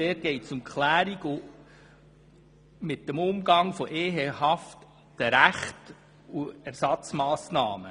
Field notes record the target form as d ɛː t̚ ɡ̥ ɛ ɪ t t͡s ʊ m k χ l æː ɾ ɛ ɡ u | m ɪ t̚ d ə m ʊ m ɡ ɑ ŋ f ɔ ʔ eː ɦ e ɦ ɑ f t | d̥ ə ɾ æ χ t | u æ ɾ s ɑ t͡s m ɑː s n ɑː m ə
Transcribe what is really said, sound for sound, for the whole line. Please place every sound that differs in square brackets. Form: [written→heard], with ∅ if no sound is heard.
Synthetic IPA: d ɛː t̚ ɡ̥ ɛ ɪ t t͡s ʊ m k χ l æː ɾ [ɛ→i] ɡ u | m ɪ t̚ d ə m ʊ m ɡ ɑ ŋ f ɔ ʔ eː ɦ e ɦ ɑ f t | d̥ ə ɾ æ χ t | u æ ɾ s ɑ t͡s m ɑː s n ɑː m ə